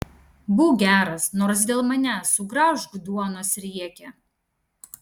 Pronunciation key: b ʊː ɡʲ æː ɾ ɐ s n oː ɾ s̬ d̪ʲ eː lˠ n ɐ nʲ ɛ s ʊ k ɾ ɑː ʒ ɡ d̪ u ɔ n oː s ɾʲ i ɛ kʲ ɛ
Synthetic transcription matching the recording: b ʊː ɡʲ æː ɾ ɐ s n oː ɾ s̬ d̪ʲ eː lˠ m ɐ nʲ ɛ s ʊ ɡ ɾ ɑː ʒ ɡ d̪ u ɔ n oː s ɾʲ i ɛ kʲ ɛ